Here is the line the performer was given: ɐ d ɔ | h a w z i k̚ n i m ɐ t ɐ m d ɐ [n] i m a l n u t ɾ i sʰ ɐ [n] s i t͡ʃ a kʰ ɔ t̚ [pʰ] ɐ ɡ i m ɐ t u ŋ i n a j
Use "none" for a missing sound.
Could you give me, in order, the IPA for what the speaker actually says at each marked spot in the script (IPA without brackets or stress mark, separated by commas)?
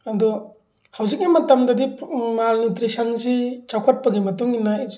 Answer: d, n, p